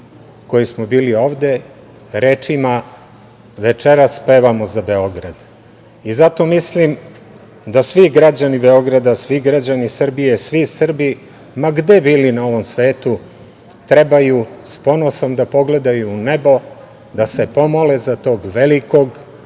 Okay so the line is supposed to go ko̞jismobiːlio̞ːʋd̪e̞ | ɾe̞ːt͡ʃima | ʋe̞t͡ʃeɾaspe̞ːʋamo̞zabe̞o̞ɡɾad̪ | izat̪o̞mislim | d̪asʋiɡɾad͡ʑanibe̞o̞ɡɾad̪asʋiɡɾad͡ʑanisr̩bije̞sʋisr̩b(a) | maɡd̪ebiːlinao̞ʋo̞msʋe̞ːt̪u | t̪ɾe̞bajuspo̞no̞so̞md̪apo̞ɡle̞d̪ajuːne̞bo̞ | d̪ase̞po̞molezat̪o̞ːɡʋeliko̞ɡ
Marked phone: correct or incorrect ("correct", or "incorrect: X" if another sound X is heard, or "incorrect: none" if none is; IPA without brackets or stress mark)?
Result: incorrect: i